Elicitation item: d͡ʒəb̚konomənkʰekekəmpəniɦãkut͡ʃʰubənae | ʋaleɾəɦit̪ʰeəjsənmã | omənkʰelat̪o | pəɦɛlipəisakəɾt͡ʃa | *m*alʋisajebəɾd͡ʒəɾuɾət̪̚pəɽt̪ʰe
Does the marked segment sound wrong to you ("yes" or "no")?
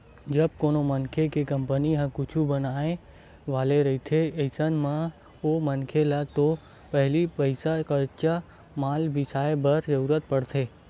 no